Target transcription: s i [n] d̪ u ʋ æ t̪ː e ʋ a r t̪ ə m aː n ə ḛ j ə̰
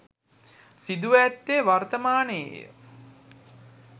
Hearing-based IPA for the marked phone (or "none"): none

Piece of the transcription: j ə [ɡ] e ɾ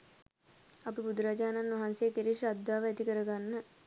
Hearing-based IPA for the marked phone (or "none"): k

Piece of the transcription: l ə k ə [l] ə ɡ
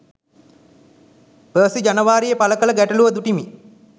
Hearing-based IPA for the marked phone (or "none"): l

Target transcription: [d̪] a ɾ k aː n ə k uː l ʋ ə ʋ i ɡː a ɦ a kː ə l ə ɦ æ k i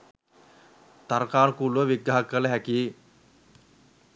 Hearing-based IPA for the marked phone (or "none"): t̪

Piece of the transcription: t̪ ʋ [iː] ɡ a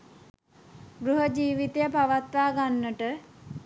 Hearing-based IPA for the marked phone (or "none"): aː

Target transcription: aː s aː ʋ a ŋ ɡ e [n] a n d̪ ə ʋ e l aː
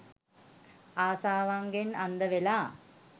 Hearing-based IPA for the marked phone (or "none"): n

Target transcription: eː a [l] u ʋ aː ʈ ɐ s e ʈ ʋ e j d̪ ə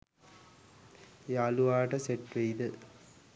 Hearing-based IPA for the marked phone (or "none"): l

